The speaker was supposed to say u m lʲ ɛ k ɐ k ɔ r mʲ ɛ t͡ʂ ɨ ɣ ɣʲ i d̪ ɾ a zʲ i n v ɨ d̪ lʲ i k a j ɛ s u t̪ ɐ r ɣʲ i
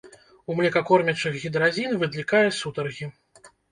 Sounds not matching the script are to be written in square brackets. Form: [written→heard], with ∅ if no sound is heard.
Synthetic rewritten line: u m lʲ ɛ k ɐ k ɔ r mʲ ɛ t͡ʂ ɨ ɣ ɣʲ i d̪ ɾ a zʲ i n v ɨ d̪ lʲ i k a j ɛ s u t̪ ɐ r ɣʲ i

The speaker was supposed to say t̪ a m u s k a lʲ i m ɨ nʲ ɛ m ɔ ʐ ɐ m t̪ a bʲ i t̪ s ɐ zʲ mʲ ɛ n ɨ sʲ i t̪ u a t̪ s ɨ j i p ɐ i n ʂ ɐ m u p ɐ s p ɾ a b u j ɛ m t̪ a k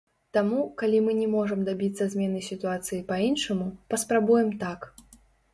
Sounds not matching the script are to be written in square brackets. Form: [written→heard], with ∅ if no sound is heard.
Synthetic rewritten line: t̪ a m u [s→∅] k a lʲ i m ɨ nʲ ɛ m ɔ ʐ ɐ m [t̪→d̪] a bʲ i t̪ s ɐ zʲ mʲ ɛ n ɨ sʲ i t̪ u a t̪ s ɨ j i p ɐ i n ʂ ɐ m u p ɐ s p ɾ a b u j ɛ m t̪ a k

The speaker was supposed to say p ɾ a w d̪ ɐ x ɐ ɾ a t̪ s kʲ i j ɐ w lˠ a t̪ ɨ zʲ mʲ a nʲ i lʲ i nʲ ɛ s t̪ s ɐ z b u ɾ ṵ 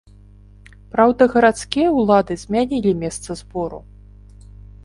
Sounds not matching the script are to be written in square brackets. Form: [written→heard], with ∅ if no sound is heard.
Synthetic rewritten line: p ɾ a w d̪ ɐ [x→ɣ] ɐ ɾ a t̪ s kʲ i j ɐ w lˠ a [t̪→d̪] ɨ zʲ mʲ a nʲ i lʲ i [nʲ→mʲ] ɛ s t̪ s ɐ z b [u→ɔ] ɾ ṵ

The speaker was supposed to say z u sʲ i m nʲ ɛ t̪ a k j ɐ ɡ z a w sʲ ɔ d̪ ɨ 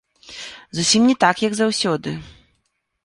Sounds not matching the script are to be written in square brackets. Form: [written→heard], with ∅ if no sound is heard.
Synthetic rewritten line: z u sʲ i m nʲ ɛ t̪ a k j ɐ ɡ z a w sʲ ɔ d̪ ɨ

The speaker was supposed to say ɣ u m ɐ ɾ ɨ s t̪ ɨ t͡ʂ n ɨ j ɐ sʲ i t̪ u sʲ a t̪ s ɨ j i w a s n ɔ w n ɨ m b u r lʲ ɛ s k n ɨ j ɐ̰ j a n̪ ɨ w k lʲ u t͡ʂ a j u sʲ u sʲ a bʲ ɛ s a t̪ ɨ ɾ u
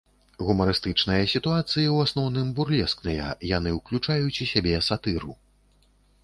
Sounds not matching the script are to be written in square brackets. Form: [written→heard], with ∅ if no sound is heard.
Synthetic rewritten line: ɣ u m ɐ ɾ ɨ s t̪ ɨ t͡ʂ n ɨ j ɐ sʲ i t̪ u [sʲ→∅] a t̪ s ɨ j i w a s n ɔ w n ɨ m b u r lʲ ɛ s k n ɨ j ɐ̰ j a n̪ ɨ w k lʲ u t͡ʂ a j u [sʲ→t͡sʲ] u sʲ a bʲ ɛ s a t̪ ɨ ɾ u

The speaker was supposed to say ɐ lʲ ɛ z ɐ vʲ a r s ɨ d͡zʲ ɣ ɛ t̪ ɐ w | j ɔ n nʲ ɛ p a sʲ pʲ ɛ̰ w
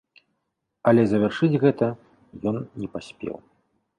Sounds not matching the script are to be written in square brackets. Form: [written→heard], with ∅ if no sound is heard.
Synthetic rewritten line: ɐ lʲ ɛ z ɐ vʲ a r [s→ʂ] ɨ d͡zʲ ɣ ɛ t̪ ɐ [w→∅] | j ɔ n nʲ ɛ p a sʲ pʲ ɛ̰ w

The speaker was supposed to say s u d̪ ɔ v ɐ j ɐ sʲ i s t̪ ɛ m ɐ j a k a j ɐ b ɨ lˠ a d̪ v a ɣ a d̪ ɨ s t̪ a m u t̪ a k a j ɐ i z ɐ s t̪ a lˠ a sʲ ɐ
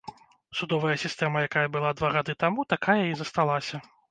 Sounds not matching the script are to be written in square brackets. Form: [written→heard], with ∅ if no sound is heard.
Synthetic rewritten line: s u d̪ ɔ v ɐ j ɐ sʲ i s t̪ ɛ m ɐ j a k a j ɐ b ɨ lˠ a d̪ v a ɣ a d̪ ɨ [s→∅] t̪ a m u t̪ a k a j ɐ i z ɐ s t̪ a lˠ a sʲ ɐ

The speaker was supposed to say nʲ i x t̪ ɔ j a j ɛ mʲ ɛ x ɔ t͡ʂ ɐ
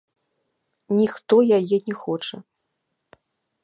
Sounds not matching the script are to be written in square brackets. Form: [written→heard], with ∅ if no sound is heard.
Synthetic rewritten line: nʲ i x t̪ ɔ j a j ɛ [mʲ→nʲ] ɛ x ɔ t͡ʂ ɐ

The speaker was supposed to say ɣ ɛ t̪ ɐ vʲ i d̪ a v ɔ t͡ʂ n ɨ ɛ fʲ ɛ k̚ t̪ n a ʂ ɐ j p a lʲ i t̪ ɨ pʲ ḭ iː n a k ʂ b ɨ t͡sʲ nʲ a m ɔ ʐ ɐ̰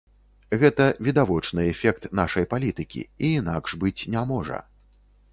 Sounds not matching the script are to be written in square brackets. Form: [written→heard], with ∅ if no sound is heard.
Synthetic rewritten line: ɣ ɛ t̪ ɐ vʲ i d̪ a v ɔ t͡ʂ n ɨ ɛ fʲ ɛ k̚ t̪ n a ʂ ɐ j p a lʲ i t̪ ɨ [pʲ→kʲ] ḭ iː n a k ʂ b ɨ t͡sʲ nʲ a m ɔ ʐ ɐ̰

